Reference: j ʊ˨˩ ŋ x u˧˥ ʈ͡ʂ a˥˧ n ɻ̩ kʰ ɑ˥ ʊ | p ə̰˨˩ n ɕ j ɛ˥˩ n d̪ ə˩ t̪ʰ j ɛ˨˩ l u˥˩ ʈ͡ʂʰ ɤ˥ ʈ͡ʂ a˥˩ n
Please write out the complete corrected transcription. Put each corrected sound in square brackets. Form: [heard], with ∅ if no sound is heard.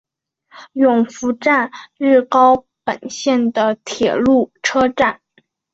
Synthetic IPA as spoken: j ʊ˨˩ ŋ [f] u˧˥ ʈ͡ʂ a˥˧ n ɻ̩ [k] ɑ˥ ʊ | p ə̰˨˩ n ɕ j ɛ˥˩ n d̪ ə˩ t̪ʰ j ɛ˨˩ l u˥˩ ʈ͡ʂʰ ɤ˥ ʈ͡ʂ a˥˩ n